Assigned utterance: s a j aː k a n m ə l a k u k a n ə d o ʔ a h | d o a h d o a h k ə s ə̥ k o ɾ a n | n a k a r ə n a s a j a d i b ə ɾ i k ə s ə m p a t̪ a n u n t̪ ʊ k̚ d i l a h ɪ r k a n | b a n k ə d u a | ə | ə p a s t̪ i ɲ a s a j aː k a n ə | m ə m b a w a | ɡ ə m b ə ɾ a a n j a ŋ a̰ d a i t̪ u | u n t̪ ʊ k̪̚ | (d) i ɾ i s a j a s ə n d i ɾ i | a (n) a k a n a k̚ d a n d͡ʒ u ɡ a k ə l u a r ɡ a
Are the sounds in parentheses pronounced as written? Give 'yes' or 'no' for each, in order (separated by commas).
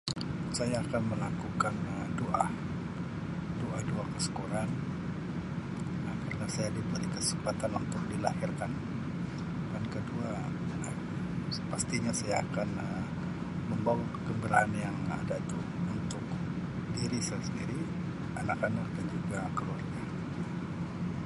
yes, yes